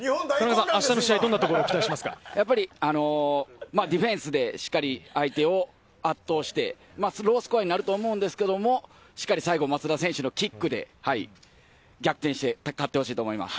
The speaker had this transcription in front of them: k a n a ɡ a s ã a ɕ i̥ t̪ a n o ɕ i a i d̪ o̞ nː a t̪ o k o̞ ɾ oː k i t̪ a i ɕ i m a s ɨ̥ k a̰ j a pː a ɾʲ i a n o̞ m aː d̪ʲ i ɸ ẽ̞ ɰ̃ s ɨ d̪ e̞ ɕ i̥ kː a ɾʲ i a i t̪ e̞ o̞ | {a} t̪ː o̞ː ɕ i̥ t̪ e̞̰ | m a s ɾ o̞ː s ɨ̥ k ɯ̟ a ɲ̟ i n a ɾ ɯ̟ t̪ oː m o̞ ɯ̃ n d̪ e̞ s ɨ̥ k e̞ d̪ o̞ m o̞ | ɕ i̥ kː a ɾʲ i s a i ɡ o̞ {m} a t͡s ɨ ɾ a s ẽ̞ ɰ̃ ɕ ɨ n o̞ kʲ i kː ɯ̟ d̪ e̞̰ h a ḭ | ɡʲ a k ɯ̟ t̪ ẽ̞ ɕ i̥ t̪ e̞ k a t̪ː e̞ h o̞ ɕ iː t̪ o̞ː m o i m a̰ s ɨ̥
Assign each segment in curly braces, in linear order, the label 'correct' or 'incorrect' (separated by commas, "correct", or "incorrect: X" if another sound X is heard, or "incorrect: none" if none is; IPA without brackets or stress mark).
correct, correct